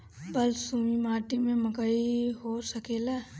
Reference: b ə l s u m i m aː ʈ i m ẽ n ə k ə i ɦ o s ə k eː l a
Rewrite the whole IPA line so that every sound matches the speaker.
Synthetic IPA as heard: b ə l s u m i m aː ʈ i m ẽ m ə k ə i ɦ o s ə k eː l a